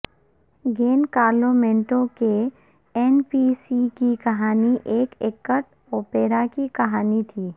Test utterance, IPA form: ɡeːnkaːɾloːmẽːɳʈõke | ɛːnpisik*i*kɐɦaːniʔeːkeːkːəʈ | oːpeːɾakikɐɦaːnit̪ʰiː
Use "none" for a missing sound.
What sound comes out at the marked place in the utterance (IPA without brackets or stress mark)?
i